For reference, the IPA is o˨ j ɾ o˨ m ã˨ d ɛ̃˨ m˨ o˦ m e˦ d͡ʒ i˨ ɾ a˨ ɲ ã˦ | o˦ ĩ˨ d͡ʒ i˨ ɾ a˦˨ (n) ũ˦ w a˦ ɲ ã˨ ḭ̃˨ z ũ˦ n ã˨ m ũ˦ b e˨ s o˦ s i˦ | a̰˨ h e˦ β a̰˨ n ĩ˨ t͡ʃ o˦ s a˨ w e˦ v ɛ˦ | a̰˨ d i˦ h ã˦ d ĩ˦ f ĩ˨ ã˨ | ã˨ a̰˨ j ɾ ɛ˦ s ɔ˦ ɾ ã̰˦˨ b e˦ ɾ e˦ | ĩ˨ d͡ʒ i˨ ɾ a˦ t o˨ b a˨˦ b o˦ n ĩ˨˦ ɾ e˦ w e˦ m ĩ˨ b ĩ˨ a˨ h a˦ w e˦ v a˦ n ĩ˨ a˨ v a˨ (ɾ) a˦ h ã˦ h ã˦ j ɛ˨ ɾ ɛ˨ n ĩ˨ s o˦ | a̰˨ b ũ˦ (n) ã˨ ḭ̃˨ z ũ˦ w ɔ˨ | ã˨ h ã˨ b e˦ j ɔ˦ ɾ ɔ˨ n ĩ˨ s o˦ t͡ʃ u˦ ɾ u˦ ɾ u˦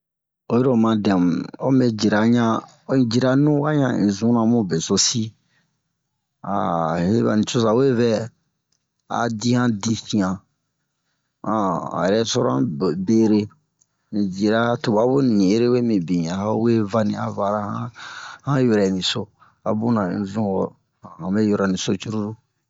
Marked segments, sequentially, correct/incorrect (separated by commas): correct, correct, correct